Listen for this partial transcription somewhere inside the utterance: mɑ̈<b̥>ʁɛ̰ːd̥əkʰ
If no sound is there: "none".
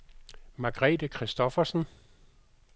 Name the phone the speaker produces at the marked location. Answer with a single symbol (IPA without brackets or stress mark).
ɡ̥